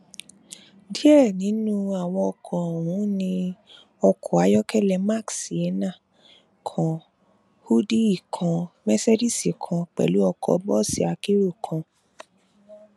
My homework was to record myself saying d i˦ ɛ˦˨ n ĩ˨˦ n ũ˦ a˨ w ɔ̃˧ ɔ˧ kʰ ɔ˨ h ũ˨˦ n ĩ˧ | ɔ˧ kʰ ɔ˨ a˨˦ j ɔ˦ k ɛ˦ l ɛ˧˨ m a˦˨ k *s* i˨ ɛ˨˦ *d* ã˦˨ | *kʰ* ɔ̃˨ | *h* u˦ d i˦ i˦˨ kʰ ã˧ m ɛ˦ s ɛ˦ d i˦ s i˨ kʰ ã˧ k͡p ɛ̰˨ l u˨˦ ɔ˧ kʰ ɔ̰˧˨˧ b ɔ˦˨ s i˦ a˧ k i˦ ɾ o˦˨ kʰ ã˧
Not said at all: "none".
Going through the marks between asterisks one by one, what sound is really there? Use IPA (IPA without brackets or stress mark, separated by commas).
s, n, kʰ, h